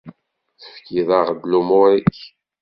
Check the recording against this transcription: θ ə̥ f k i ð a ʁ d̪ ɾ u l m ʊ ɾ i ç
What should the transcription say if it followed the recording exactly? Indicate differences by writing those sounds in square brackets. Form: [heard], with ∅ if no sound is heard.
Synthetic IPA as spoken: θ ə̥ f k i ð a ʁ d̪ [l] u [∅] m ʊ ɾ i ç